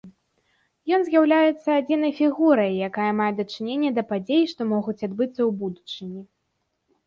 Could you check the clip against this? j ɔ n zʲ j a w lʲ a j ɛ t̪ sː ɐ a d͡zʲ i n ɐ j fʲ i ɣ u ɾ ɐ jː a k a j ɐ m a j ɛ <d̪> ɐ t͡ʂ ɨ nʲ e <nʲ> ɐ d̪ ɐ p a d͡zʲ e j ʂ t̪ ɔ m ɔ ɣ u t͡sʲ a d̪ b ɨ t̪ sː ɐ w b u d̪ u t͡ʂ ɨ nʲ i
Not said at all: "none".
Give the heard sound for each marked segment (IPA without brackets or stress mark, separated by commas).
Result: d̪, nʲː